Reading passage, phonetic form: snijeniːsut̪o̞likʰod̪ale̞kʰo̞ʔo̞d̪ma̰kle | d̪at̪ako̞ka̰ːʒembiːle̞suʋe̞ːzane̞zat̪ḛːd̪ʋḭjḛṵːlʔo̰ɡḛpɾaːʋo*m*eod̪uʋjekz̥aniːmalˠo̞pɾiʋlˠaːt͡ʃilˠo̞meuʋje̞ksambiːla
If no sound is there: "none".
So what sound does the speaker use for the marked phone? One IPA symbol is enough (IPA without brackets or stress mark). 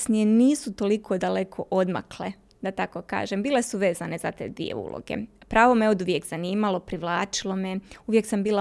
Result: m